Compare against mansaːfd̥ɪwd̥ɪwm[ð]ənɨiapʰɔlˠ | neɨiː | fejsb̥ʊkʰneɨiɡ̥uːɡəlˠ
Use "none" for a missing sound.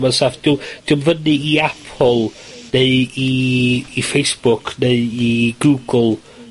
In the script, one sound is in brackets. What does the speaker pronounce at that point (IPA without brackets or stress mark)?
v